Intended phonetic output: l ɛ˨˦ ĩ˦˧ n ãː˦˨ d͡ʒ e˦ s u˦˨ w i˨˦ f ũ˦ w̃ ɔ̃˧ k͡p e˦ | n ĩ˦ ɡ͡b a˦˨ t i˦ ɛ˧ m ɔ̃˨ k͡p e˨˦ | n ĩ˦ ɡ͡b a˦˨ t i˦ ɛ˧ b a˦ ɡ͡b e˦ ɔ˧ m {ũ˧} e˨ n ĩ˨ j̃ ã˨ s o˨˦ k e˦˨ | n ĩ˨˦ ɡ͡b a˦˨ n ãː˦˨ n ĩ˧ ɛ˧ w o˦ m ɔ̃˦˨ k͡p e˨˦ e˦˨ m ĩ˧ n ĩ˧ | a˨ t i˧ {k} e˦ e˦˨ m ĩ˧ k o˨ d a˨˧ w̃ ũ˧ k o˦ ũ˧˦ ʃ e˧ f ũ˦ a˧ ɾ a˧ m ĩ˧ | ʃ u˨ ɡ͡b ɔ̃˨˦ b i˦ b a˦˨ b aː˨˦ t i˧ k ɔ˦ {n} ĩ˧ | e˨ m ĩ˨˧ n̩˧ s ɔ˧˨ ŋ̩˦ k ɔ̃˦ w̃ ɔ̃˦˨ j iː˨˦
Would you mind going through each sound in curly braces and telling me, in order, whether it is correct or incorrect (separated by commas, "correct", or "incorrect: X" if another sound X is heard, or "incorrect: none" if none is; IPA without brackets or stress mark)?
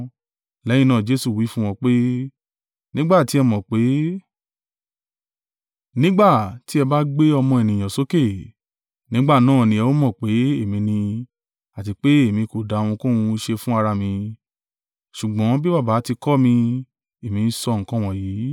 incorrect: ɔ̃˧, incorrect: k͡p, incorrect: m